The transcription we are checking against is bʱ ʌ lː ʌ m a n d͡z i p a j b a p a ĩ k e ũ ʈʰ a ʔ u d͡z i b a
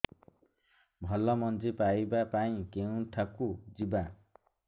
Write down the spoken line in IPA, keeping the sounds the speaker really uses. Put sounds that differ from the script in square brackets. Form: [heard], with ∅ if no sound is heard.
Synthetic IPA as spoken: bʱ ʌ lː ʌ m [ʌ] n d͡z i p a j b a p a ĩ k e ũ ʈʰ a [k] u d͡z i b a